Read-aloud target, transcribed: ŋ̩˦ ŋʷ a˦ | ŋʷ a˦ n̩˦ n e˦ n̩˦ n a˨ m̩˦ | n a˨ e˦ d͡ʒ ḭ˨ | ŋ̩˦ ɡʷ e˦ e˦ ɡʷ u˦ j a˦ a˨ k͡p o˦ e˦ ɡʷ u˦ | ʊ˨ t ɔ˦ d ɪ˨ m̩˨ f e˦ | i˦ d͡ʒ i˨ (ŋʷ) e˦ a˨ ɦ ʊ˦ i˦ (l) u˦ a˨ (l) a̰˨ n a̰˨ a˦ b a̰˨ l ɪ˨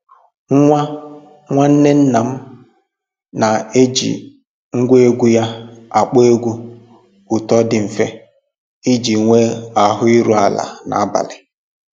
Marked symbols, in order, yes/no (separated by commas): yes, no, yes